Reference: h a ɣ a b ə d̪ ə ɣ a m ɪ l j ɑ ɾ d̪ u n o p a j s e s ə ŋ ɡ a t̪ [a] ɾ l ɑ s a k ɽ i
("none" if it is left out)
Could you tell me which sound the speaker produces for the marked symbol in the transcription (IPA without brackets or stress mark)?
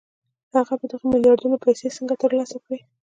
ə